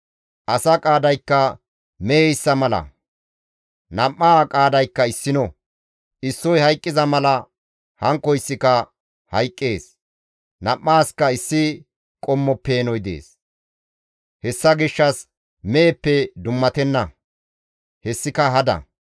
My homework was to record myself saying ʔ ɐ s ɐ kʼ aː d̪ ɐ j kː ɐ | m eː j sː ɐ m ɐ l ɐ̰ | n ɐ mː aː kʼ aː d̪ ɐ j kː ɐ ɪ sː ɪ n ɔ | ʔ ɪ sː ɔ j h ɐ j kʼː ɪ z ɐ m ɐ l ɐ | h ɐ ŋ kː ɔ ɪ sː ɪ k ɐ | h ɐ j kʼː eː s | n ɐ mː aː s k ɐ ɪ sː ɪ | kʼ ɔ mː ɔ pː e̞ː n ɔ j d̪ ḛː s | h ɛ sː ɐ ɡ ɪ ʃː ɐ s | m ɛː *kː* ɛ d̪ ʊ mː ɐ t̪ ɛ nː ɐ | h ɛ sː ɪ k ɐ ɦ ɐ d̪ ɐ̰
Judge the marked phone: incorrect: pː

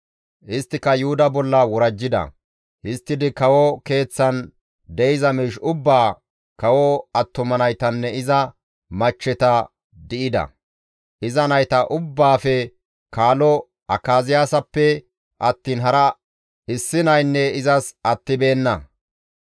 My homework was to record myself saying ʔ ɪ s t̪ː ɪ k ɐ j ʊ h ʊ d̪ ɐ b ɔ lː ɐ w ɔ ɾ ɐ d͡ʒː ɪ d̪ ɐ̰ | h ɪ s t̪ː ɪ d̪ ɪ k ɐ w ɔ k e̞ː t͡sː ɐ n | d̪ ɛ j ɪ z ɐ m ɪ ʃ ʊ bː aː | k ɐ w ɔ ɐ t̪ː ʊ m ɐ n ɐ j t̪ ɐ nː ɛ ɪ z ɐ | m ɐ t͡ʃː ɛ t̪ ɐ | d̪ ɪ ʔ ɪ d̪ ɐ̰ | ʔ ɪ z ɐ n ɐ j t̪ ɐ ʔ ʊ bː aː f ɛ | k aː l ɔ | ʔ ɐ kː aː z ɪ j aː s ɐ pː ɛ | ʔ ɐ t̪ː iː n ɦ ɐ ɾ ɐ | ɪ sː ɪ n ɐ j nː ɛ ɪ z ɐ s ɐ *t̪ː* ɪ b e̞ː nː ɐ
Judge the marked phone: correct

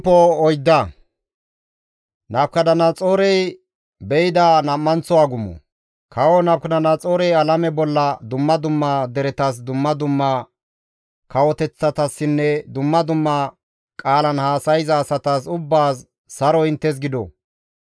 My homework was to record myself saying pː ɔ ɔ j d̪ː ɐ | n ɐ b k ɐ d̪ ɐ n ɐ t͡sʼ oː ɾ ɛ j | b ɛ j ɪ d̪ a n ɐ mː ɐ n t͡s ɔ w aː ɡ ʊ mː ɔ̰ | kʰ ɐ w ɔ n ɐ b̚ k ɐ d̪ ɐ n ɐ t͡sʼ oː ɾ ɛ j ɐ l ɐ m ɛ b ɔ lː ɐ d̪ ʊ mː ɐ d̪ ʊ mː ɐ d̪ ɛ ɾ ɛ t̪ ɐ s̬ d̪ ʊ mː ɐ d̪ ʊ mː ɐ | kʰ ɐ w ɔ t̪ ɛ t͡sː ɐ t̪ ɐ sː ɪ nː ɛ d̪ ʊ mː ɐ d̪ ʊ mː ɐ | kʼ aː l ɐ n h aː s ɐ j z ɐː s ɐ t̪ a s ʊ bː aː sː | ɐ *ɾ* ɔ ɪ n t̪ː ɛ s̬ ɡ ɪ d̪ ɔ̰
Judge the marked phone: correct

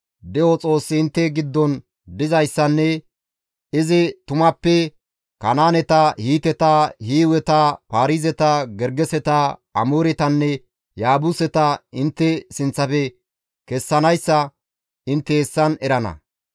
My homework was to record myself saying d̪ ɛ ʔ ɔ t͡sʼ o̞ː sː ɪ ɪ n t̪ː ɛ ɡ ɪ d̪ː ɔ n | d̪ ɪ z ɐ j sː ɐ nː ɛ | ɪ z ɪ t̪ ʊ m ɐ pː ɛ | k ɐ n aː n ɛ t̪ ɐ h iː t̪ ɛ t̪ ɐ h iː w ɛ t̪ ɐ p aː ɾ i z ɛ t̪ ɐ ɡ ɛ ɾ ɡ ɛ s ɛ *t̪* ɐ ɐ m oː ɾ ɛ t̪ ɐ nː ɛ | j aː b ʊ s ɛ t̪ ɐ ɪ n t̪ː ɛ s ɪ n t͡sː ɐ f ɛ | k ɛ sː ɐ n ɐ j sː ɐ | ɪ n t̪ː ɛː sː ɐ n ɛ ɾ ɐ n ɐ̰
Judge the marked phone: correct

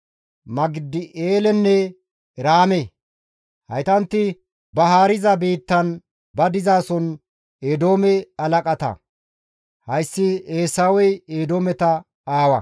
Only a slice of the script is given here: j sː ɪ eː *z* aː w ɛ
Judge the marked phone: incorrect: s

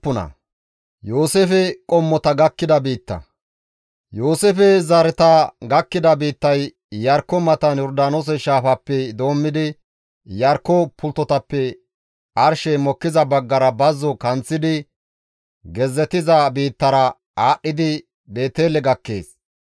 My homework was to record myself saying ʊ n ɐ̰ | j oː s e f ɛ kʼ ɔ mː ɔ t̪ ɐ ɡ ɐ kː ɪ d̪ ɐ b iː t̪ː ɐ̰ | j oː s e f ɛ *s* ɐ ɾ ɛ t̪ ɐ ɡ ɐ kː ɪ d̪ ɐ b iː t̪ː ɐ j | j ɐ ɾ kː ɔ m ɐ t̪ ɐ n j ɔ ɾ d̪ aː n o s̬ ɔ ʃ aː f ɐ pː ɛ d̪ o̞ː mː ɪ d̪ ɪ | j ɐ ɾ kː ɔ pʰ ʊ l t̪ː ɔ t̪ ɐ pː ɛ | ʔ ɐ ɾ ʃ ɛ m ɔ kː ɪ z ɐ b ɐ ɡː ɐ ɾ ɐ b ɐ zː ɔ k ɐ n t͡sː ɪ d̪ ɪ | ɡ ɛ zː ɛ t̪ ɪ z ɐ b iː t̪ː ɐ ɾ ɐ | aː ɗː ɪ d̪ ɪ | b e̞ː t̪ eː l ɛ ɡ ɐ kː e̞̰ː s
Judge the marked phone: incorrect: z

